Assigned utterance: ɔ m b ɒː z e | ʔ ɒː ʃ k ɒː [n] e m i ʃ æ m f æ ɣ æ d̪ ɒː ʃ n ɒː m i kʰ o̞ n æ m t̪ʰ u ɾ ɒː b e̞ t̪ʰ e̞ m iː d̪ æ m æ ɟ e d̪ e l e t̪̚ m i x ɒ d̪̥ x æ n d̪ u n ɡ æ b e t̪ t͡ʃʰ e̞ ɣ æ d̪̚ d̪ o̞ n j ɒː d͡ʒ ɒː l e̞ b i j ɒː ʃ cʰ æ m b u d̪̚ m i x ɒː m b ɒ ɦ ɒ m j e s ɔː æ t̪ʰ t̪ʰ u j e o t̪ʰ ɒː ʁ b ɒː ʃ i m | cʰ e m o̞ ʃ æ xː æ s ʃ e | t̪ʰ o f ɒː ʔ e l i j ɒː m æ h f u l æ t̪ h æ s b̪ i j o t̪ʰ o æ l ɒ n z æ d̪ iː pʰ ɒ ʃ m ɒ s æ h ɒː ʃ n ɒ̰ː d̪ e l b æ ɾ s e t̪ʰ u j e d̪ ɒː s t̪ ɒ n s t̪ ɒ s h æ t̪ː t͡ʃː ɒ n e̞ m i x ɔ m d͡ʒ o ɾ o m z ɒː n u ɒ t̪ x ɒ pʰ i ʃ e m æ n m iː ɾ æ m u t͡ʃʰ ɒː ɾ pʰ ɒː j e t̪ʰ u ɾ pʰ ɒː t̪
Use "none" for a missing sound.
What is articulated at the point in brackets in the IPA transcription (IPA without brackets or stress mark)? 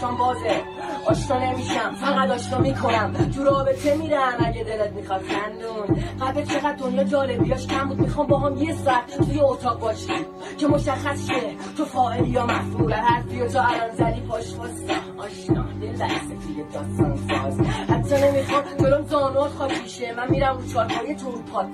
n